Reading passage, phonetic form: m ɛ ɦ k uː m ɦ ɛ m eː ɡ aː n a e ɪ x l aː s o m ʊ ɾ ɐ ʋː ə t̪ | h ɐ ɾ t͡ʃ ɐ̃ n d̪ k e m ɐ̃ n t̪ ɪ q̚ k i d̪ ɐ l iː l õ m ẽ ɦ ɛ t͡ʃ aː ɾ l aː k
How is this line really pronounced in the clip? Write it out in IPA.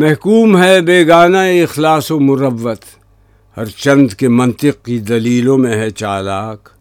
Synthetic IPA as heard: m ɛ ɦ k uː m ɦ ɛ b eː ɡ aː n a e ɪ x l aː s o m ʊ ɾ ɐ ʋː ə t̪ | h ɐ ɾ t͡ʃ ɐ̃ n d̪ k e m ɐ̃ n t̪ ɪ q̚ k i d̪ ɐ l iː l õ m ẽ ɦ ɛ t͡ʃ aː l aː k